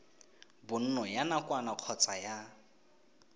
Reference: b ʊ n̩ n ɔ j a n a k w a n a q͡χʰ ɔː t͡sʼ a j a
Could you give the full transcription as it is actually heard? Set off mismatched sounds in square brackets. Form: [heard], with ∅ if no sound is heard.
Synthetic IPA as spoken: b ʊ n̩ n ɔ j a n a k w a n a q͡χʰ [ɔ] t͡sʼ a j a